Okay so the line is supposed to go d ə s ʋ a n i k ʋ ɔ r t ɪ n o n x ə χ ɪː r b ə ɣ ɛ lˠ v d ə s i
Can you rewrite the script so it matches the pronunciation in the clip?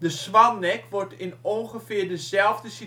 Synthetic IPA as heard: d ə s ʋ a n ɛ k ʋ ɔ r t ɪ n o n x ə f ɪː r d ə z ɛ lˠ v d ə s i